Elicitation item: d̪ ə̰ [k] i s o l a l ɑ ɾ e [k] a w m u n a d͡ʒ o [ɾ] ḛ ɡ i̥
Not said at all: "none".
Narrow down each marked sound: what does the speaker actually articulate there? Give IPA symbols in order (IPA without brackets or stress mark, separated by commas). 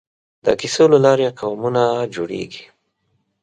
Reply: k, q, ɽ